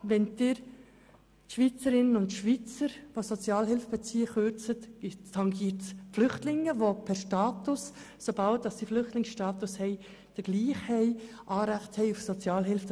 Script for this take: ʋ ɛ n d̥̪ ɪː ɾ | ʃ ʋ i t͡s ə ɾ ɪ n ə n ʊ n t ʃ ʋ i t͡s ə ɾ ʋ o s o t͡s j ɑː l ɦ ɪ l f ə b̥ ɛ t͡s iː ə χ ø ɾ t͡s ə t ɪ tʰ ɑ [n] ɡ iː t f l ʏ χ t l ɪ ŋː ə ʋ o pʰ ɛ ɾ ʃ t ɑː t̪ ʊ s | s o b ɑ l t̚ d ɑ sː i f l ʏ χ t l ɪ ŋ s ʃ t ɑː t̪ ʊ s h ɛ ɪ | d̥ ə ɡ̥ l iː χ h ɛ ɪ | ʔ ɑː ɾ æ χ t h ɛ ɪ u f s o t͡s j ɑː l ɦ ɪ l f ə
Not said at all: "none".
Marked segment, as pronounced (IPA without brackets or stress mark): ŋ